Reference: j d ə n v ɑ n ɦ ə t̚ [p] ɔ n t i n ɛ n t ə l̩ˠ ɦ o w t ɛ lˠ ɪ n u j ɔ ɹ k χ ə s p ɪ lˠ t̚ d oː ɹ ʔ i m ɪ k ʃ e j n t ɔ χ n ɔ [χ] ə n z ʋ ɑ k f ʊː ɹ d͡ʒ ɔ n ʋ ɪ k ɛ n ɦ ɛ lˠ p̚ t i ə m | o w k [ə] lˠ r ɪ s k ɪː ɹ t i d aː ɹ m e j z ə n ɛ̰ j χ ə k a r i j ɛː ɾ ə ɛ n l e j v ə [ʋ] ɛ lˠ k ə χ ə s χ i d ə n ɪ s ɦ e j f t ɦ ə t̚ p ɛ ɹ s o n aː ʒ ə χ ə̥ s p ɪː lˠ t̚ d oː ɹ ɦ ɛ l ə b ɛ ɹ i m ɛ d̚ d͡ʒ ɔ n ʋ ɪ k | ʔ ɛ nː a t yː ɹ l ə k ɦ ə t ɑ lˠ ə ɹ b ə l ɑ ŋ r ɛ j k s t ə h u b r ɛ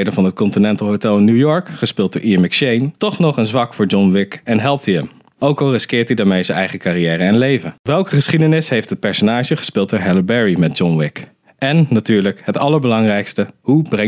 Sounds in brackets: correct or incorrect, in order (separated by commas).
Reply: incorrect, correct, incorrect, correct